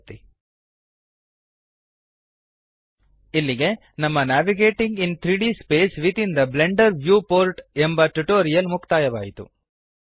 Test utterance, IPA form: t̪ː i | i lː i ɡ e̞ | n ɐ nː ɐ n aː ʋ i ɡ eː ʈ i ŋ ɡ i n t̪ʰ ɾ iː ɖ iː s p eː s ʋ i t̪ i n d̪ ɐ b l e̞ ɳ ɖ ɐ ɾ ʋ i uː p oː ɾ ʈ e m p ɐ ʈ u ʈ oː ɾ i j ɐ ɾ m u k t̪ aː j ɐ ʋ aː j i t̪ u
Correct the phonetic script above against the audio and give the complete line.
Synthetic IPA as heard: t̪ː i | i lː i ɡ e̞ | n ɐ mː ɐ n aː ʋ i ɡ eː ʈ i ŋ ɡ i n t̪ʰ ɾ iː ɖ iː s p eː s ʋ i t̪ i n d̪ ɐ b l e̞ ɳ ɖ ɐ ɾ ʋ j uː p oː ɾ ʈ e m b ɐ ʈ u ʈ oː ɾ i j ɐ l m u k t̪ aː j ɐ ʋ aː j i t̪ u